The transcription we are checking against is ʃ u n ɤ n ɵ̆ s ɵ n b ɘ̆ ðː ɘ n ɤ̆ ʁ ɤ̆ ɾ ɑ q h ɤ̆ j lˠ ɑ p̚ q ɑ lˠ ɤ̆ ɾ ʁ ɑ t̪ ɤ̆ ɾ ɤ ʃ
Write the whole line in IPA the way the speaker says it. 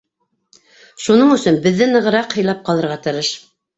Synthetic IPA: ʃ u n ɤ ɴ ɵ̆ s ɵ n b ɘ̆ ðː ɘ n ɤ̆ ʁ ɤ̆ ɾ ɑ q h ɤ̆ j lˠ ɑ p̚ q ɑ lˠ ɤ̆ ɾ ʁ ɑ t̪ ɤ̆ ɾ ɤ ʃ